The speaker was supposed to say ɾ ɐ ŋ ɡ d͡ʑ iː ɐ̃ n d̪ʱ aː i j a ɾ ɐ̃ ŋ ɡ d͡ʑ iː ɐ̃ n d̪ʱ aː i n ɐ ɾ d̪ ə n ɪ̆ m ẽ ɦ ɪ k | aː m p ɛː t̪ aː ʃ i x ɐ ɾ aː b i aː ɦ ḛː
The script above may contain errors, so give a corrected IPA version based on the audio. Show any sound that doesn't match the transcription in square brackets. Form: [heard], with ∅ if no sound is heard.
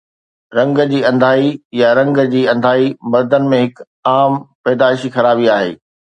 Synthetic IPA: ɾ [ɐ̃] ŋ ɡ d͡ʑ iː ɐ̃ n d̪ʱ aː i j a ɾ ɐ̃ ŋ ɡ d͡ʑ iː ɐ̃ n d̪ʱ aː i [m] ɐ ɾ d̪ ə n ɪ̆ m ẽ ɦ ɪ k | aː m p ɛː [d̪] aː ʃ i x ɐ ɾ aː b i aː ɦ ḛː